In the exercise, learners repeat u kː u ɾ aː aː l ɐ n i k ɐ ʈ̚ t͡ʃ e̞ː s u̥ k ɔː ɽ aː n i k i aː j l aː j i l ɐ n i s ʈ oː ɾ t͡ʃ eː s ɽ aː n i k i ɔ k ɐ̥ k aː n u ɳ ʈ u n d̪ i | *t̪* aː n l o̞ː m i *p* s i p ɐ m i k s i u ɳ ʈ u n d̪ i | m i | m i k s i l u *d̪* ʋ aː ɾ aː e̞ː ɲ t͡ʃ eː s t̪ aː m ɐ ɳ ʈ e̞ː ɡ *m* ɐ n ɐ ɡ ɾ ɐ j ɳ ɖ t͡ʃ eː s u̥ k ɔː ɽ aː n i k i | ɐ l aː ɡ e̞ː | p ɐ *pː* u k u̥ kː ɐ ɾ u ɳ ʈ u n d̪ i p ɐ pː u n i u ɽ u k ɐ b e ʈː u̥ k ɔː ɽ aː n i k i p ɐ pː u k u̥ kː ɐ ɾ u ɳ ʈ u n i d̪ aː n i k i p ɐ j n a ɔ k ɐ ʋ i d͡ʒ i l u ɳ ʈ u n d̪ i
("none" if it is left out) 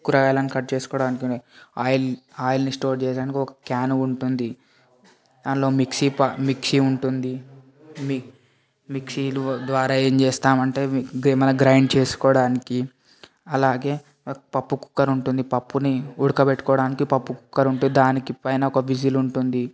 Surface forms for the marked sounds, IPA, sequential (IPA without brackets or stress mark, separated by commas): d̪, k, d̪, m, pː